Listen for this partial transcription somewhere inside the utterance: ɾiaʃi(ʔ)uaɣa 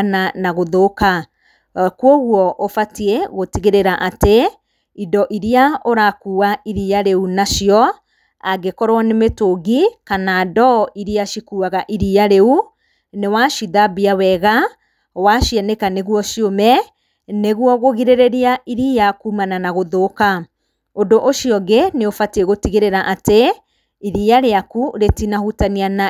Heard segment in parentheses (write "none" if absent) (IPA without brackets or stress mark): k